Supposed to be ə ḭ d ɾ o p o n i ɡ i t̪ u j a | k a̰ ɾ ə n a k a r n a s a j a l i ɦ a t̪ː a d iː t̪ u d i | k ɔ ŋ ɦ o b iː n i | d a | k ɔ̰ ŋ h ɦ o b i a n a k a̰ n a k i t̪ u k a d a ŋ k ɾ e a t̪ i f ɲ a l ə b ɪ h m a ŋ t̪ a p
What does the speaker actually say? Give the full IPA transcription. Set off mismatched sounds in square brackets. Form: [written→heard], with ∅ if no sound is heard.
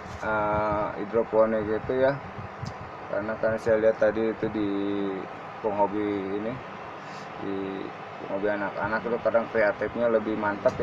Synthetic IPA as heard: ə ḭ d ɾ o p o n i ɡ i t̪ u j a | k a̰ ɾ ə n a k a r n a s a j a l i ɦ a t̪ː a d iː t̪ u d i | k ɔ ŋ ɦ o b iː n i | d [a→i] | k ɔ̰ ŋ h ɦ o b i a n a k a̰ n a k i t̪ u k a d a ŋ k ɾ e a t̪ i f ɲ a l ə b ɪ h m a [ŋ→n] t̪ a p